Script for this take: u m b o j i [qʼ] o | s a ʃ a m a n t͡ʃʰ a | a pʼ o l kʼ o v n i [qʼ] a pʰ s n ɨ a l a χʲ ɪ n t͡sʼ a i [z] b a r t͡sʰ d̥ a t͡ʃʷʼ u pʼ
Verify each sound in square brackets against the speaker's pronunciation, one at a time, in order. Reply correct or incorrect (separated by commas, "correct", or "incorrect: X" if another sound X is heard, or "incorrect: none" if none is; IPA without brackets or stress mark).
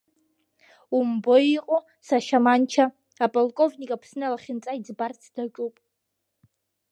correct, incorrect: kʼ, incorrect: d͡z